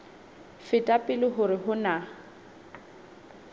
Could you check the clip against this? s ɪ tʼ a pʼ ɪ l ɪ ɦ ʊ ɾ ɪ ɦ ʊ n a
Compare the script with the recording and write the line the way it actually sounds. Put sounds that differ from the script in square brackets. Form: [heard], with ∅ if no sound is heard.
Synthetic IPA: [f] ɪ tʼ a pʼ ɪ l ɪ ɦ ʊ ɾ ɪ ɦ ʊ n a